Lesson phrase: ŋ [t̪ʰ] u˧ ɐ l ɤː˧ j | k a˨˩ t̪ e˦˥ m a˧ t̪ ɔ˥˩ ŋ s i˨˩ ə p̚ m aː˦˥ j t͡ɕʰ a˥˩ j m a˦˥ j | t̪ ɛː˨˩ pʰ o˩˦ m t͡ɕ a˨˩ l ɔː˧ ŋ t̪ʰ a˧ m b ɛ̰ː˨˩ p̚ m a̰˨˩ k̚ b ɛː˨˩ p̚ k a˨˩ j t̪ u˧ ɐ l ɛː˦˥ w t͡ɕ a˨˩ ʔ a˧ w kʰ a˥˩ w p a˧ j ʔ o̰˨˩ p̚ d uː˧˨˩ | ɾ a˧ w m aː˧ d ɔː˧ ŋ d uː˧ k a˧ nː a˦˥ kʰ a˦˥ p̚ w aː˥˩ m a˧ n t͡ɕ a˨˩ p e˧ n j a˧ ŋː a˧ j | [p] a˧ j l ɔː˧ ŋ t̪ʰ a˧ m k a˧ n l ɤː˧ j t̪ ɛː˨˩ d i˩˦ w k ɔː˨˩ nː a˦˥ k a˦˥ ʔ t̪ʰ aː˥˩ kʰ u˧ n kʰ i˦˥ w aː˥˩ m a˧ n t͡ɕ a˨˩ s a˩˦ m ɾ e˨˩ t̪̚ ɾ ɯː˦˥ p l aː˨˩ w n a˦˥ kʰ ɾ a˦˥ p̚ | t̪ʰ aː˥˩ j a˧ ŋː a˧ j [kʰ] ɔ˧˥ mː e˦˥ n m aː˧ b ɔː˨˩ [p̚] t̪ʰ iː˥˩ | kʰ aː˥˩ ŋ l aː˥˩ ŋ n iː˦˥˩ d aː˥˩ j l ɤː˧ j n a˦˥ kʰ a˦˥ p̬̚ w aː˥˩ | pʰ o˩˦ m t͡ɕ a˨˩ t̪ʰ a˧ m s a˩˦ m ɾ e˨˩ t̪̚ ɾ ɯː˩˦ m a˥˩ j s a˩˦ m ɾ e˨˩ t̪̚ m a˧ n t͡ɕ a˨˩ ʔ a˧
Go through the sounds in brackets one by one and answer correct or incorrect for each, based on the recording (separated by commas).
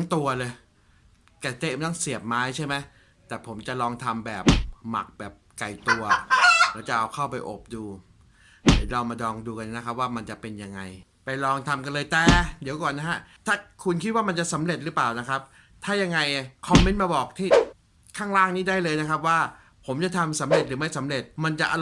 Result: incorrect, correct, correct, incorrect